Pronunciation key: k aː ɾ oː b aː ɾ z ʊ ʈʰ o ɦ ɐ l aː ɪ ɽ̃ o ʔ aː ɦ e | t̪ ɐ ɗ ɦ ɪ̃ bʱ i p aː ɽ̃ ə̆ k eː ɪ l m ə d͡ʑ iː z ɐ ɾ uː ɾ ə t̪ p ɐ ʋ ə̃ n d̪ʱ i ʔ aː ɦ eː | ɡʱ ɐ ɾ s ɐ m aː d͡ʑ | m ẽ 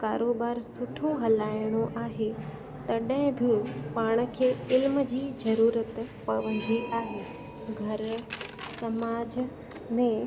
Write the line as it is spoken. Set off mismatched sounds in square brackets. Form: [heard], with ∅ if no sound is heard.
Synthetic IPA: k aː ɾ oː b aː ɾ [s] ʊ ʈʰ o ɦ ɐ l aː ɪ ɽ̃ o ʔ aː ɦ e | t̪ ɐ ɗ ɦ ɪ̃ bʱ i p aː ɽ̃ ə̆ [kʰ] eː ɪ l m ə d͡ʑ iː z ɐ ɾ uː ɾ ə t̪ p ɐ ʋ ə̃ n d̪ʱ i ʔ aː ɦ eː | ɡʱ ɐ ɾ s ɐ m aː d͡ʑ | m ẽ